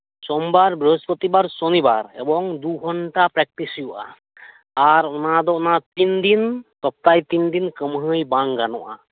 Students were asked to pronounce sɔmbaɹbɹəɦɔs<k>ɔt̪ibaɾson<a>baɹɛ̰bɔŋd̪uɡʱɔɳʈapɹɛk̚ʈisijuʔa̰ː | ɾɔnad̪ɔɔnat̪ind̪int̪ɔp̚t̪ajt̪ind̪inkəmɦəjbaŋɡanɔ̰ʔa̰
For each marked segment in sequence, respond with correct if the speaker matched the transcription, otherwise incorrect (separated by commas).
incorrect, incorrect